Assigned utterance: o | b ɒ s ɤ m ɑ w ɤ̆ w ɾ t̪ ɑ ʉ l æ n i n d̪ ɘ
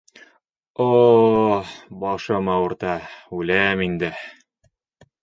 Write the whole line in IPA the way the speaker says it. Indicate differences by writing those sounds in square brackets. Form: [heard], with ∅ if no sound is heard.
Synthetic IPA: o | b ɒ [ʃ] ɤ m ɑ w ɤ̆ [∅] ɾ t̪ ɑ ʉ l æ [m] i n d̪ ɘ